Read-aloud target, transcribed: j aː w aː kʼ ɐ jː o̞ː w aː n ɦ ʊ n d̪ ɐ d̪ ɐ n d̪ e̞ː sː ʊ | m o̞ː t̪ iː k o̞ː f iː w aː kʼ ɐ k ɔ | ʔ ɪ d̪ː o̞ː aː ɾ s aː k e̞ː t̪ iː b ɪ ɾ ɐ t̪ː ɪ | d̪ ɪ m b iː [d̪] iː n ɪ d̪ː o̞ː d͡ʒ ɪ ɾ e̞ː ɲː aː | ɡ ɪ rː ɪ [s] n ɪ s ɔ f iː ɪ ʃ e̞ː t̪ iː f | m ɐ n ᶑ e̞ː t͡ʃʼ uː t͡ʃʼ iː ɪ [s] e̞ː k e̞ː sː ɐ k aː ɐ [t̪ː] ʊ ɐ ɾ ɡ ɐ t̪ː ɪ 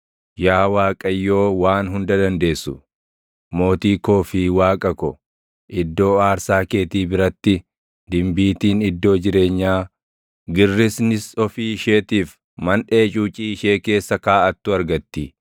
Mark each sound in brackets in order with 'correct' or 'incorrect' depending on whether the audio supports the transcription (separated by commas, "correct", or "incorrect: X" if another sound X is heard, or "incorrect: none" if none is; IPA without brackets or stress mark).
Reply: incorrect: t̪, correct, incorrect: ʃ, correct